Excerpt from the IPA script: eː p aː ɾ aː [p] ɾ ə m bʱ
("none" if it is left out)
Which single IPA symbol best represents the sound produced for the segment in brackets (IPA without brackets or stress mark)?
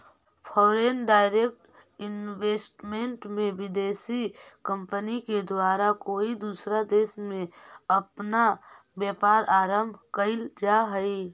none